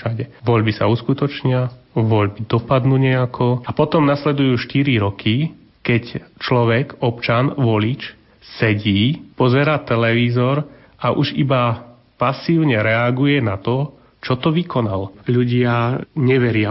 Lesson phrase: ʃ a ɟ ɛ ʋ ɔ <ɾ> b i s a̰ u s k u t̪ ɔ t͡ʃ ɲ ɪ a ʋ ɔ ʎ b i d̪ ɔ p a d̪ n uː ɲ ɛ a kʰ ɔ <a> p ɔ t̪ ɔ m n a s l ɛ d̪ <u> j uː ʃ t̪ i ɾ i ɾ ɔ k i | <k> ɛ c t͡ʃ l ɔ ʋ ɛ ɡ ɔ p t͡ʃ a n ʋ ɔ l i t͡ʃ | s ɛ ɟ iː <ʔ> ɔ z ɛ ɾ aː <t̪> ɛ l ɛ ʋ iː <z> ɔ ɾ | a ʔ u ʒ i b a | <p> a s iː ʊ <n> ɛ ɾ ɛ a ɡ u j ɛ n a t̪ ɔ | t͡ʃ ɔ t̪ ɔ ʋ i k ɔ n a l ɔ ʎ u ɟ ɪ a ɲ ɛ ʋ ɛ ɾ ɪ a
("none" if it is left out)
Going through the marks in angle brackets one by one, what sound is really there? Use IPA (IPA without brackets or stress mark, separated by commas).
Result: ʎ, a, u, k, p, t̪, z, p, ɲ